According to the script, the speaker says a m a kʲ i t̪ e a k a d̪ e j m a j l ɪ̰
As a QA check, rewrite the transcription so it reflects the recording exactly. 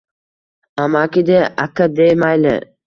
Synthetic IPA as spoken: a m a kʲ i d̪ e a k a d̪ e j m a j l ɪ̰